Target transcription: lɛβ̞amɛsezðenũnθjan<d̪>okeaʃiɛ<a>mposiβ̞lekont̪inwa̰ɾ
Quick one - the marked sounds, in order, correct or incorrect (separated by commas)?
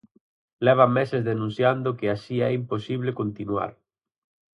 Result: correct, incorrect